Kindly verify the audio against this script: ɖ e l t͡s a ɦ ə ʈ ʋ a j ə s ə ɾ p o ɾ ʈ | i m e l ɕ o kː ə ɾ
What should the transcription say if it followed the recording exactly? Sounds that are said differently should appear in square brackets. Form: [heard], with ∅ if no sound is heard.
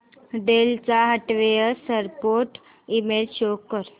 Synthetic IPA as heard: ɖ e l t͡s a ɦ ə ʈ ʋ [e] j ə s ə ɾ p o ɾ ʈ | i m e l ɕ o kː ə ɾ